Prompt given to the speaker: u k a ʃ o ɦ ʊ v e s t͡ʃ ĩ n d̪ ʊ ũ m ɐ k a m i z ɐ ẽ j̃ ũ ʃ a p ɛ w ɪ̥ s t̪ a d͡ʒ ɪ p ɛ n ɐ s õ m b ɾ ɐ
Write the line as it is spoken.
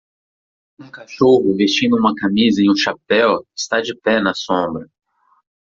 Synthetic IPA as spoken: ũ k a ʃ o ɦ ʊ v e s t͡ʃ ĩ n d̪ ʊ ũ m ɐ k a m i z ɐ ẽ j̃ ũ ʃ a p ɛ w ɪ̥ s t̪ a d͡ʒ ɪ p ɛ n ɐ s õ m b ɾ ɐ